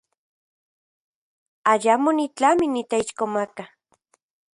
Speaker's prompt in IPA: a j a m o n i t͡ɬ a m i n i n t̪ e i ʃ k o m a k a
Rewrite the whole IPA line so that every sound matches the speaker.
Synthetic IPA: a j a m o n i t͡ɬ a m i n i t̪ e i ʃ k o m a k a